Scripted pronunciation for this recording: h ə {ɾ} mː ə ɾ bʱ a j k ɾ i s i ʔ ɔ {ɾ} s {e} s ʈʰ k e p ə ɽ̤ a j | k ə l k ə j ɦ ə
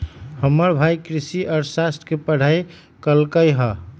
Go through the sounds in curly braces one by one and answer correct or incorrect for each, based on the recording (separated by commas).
incorrect, correct, incorrect